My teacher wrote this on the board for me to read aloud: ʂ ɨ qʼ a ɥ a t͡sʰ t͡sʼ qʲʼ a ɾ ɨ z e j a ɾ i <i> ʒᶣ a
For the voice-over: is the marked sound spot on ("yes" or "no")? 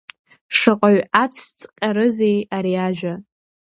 no